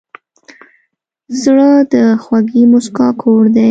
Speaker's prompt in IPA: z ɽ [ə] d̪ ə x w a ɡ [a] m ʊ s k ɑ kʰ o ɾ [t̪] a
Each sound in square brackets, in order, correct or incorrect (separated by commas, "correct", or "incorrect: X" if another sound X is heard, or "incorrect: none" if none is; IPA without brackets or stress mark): correct, incorrect: i, incorrect: d̪